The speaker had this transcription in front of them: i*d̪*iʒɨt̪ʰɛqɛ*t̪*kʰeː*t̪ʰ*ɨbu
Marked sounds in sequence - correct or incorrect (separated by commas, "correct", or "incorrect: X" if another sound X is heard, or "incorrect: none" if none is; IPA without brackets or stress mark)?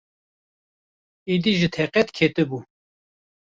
correct, correct, incorrect: t̪